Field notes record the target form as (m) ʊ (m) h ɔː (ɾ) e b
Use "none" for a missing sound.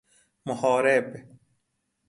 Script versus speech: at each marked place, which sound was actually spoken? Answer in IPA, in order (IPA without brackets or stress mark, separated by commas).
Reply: m, none, ɾ